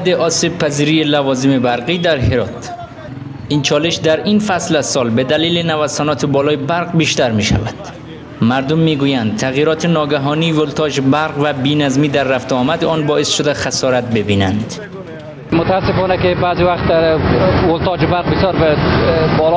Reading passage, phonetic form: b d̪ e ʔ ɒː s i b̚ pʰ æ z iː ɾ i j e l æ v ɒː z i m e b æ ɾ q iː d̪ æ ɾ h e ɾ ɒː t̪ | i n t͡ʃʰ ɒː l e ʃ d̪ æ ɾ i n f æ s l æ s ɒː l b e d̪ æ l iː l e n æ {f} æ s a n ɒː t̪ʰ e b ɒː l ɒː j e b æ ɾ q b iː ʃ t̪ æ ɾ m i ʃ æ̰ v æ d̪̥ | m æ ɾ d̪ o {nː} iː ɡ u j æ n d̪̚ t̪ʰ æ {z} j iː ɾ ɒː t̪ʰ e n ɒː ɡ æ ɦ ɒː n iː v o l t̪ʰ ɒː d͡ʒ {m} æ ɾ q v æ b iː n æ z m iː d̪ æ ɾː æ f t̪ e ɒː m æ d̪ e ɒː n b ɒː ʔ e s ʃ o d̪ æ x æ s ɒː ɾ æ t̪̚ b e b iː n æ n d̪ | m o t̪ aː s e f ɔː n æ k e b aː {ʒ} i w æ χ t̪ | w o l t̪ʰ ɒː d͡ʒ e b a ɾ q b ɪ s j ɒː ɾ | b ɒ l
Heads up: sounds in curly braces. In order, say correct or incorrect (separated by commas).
incorrect, incorrect, incorrect, incorrect, incorrect